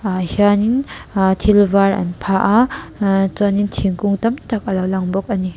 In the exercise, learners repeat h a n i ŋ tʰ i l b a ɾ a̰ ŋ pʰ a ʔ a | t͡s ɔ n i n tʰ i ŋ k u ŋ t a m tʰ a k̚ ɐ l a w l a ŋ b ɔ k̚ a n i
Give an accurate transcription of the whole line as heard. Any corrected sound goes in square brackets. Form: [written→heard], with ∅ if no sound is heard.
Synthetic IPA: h a n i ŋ tʰ i l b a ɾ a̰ [ŋ→n] pʰ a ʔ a | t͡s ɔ n i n tʰ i ŋ k u ŋ t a m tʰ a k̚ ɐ l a w l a ŋ b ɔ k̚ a n i